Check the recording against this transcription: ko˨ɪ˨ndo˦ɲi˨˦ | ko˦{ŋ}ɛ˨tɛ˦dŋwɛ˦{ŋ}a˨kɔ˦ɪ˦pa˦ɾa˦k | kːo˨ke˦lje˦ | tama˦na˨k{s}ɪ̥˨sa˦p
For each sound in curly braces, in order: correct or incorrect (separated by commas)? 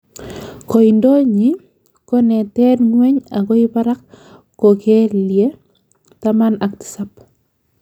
incorrect, incorrect, incorrect